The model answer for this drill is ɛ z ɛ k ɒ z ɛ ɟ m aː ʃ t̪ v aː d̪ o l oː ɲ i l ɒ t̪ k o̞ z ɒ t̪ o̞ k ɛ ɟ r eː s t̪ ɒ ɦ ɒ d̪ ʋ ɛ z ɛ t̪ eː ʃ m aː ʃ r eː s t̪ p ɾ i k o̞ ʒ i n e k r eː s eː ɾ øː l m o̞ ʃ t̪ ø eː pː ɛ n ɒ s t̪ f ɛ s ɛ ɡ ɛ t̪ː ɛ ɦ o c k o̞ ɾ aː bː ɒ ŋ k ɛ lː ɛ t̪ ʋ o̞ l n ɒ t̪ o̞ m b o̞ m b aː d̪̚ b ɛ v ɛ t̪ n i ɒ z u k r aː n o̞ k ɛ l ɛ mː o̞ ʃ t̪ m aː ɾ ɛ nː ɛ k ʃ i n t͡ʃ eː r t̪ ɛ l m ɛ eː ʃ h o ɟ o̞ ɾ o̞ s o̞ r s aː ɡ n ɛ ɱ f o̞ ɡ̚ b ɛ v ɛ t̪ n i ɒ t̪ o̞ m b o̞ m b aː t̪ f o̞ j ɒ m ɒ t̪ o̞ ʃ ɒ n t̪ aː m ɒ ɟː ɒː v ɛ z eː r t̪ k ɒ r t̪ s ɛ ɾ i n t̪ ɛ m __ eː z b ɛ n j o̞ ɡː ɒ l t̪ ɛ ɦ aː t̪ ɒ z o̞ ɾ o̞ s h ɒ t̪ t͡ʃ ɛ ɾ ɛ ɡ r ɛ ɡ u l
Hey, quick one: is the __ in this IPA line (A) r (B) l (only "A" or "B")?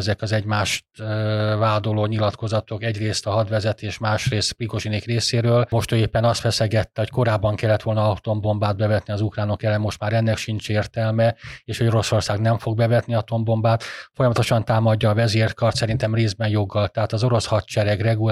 A